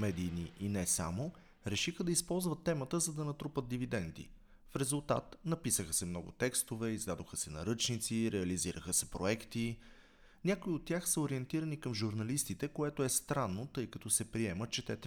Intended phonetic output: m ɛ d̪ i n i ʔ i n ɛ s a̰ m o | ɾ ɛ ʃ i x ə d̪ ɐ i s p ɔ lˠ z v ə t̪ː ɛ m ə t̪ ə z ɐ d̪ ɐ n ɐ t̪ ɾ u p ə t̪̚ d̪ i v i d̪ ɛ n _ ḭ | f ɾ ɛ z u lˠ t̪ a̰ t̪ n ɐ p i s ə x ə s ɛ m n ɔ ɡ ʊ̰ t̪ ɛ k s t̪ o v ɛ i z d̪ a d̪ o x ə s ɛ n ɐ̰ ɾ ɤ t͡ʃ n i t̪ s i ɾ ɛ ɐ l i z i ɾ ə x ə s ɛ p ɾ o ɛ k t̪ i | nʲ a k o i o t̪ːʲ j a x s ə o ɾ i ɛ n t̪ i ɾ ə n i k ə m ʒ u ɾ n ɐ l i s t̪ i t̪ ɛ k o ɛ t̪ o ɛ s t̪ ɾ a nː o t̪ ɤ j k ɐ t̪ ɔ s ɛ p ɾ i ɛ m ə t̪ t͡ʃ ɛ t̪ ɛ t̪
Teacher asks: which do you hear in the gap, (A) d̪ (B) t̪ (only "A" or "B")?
A